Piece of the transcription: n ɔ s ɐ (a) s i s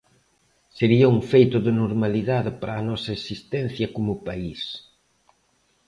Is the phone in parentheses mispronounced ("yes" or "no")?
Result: yes